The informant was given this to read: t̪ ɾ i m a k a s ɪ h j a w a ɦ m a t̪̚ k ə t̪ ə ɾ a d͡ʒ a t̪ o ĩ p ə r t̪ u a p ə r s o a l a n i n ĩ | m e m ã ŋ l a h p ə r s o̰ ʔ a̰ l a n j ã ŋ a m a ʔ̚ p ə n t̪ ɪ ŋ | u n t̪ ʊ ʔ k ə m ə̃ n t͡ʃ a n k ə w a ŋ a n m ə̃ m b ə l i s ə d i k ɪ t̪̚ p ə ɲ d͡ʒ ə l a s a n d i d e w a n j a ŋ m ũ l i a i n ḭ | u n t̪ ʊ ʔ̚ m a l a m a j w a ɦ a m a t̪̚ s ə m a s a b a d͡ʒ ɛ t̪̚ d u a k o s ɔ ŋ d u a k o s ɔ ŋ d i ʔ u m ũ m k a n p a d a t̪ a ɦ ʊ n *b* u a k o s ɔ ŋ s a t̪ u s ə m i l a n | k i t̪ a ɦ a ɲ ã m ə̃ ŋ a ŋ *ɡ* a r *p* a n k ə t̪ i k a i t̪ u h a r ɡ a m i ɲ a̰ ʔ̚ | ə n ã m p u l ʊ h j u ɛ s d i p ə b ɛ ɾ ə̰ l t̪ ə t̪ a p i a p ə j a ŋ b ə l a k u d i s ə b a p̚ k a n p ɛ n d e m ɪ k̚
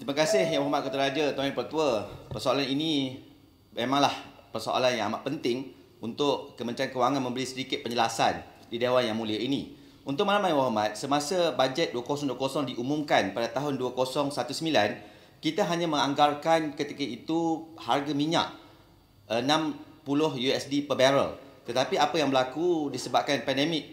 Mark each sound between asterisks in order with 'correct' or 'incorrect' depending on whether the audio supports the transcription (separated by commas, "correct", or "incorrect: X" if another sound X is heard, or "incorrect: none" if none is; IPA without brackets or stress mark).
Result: incorrect: d, correct, incorrect: k